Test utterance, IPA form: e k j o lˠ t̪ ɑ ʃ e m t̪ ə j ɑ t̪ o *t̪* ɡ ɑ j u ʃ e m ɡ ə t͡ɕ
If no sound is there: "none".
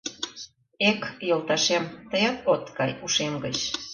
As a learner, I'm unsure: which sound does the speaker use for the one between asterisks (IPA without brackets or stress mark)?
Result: t̪